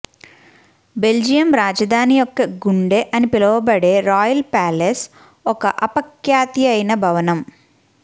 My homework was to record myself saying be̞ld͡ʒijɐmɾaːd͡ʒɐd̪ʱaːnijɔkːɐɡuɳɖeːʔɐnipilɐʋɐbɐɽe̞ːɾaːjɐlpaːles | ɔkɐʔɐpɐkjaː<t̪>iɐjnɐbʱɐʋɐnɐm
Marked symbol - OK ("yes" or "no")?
yes